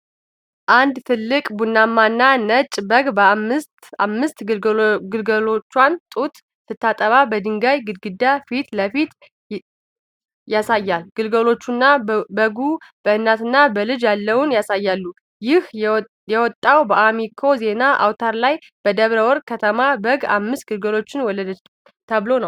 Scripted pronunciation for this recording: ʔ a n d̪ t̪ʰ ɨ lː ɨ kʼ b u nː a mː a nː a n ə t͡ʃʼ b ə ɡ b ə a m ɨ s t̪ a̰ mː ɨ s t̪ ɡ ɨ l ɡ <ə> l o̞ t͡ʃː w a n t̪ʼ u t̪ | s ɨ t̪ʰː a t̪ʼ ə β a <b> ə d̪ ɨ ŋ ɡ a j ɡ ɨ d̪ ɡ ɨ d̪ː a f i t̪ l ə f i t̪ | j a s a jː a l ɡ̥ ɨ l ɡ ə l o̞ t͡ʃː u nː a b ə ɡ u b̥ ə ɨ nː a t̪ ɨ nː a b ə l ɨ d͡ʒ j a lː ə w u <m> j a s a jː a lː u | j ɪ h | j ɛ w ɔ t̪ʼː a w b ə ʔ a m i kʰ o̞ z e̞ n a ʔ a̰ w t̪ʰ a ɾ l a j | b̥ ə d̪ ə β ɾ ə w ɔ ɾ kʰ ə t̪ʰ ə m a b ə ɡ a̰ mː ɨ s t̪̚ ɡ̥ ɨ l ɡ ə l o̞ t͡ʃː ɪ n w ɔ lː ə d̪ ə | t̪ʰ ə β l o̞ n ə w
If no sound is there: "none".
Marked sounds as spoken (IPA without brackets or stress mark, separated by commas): ə, b, n